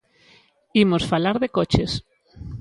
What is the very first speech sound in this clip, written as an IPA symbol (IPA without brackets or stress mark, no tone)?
i